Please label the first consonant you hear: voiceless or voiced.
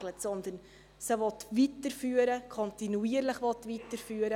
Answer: voiced